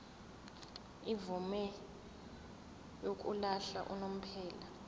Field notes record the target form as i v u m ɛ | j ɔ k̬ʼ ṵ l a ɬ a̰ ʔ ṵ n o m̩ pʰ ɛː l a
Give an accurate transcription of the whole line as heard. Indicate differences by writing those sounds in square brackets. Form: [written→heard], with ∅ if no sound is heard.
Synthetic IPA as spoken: i v u m ɛ | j [ɔ→o] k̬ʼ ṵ l a ɬ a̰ ʔ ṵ n o m̩ pʰ ɛː l a